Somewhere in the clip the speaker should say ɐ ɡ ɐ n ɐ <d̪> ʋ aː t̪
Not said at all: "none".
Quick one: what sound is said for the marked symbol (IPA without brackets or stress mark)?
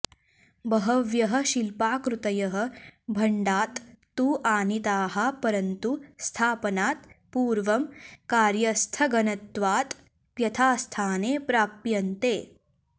t̪